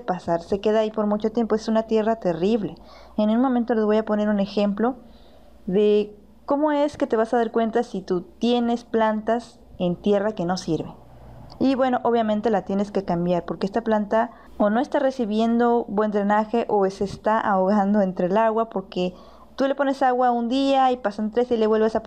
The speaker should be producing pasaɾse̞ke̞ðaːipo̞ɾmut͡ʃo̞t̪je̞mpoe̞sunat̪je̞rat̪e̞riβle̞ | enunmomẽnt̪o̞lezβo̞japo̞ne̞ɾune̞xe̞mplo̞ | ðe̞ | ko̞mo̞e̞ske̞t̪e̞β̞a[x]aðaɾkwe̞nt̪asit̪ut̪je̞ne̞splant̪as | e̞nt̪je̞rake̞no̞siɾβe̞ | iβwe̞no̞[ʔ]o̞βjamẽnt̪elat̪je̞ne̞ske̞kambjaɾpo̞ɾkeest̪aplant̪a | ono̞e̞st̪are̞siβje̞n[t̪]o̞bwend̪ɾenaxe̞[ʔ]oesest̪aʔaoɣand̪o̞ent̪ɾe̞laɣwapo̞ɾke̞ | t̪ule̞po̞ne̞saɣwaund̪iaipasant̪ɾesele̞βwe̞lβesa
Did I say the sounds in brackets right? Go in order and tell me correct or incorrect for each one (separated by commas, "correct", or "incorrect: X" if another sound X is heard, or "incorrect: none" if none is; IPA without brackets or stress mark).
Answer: incorrect: s, correct, incorrect: d̪, correct